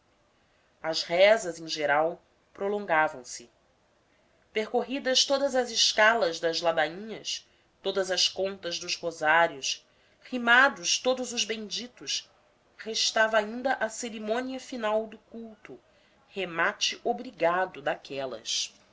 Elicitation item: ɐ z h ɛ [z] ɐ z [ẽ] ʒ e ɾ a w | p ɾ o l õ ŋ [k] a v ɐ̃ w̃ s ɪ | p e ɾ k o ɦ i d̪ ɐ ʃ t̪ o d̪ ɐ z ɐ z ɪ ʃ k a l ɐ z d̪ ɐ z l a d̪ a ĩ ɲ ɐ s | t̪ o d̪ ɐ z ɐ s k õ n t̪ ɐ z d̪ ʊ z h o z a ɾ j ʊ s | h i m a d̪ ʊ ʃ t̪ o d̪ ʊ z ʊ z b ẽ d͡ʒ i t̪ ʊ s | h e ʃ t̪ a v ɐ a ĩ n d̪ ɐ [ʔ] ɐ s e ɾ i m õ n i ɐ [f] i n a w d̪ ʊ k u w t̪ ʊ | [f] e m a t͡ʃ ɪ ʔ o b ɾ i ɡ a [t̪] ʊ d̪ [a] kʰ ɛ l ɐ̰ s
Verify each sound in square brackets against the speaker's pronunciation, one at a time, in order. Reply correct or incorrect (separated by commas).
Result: correct, correct, incorrect, correct, correct, incorrect, incorrect, correct